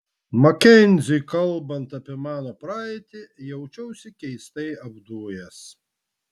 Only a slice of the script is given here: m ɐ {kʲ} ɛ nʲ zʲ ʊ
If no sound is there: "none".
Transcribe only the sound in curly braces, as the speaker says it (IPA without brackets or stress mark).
kʲ